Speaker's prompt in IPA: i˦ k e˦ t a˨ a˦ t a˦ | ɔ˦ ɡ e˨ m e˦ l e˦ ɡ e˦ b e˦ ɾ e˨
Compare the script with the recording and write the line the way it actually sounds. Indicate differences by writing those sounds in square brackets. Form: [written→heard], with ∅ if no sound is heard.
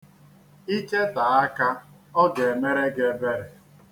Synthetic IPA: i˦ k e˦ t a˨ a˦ [t→k] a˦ | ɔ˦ ɡ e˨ m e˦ [l→ɾ] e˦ ɡ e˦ b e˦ ɾ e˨